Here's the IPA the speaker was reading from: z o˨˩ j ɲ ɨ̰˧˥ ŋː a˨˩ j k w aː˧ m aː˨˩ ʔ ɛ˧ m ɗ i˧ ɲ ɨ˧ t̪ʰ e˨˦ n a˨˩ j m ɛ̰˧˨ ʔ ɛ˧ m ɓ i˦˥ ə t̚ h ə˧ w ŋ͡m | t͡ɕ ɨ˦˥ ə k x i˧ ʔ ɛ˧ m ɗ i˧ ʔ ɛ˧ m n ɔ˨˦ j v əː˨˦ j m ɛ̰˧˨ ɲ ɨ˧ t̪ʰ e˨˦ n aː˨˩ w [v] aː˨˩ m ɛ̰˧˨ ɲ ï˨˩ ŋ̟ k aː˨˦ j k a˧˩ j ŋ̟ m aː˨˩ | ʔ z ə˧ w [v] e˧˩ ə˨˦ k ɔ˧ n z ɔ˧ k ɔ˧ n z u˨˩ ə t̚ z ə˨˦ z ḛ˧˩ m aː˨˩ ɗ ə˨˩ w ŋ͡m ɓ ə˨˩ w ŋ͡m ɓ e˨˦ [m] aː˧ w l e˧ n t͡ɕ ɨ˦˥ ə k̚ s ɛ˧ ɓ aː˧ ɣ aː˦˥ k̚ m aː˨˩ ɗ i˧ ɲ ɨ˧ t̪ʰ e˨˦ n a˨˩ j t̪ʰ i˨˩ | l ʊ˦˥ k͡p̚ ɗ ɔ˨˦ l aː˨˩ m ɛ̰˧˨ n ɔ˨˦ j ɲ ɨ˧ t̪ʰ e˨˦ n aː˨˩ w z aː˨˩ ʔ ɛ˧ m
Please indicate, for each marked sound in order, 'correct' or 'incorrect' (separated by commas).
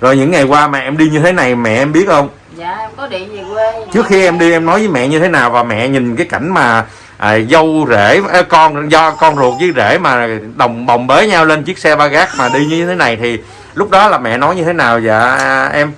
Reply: correct, incorrect, incorrect